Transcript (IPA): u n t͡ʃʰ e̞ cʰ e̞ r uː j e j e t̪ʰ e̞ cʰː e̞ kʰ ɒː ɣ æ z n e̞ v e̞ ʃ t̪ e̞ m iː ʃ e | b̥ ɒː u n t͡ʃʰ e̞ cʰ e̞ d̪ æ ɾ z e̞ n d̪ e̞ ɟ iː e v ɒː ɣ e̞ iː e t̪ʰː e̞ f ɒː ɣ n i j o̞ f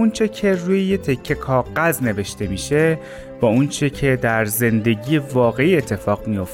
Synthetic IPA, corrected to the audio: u n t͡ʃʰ e̞ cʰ e̞ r uː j e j e t̪ʰ e̞ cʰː e̞ kʰ ɒː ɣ æ z n e̞ v e̞ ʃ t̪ e̞ m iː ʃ e | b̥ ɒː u n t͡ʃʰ e̞ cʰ e̞ d̪ æ ɾ z e̞ n d̪ e̞ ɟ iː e v ɒː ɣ e̞ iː e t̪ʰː e̞ f ɒː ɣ m i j o̞ f